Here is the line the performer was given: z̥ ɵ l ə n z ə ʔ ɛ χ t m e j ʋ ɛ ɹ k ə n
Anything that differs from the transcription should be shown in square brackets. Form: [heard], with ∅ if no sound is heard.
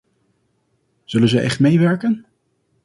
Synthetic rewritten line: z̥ ɵ l ə n z ə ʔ ɛ χ t m e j ʋ ɛ ɹ k ə n